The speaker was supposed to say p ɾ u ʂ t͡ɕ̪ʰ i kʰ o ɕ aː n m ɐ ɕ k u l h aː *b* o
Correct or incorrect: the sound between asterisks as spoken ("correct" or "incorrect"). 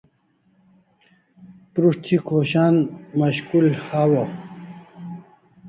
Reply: incorrect